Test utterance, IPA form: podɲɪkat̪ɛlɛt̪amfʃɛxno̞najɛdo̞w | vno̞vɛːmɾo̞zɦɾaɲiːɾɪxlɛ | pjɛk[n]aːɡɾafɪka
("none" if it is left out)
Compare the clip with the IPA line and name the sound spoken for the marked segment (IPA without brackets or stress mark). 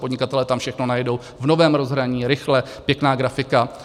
n